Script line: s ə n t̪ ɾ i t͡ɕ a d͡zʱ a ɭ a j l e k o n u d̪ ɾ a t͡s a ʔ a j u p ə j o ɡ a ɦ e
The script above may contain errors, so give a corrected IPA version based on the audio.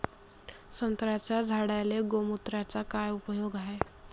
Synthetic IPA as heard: s ə n t̪ ɾ a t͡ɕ a d͡zʱ a ɽ a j l e ɡ o m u t̪ ɾ a t͡s a k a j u p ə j o ɡ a ɦ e